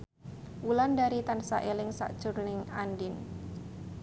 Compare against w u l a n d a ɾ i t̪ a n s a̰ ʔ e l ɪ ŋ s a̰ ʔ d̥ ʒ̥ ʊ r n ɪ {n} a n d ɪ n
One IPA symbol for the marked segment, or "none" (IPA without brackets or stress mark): ŋ